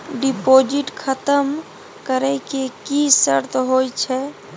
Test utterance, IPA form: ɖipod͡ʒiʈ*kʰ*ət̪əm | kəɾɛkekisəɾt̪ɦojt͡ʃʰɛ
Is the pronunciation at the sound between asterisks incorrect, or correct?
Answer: correct